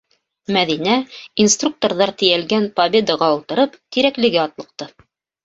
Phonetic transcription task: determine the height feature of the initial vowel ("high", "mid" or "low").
low